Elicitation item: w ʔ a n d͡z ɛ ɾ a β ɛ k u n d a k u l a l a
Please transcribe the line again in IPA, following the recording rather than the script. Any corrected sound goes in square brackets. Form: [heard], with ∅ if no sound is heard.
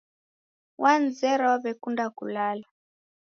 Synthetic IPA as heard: w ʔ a n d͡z ɛ ɾ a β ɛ k u n d a k u l a l a